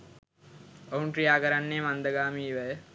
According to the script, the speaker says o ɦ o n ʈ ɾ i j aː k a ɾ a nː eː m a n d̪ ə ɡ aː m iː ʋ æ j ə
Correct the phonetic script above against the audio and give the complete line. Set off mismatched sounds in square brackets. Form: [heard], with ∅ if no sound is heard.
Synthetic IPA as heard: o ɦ [u] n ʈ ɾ i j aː k [ə] ɾ a nː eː m a n d̪ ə ɡ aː m iː ʋ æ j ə